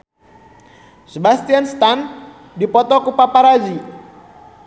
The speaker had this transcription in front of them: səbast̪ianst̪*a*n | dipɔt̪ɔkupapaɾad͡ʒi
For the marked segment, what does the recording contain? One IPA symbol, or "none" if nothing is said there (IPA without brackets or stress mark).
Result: a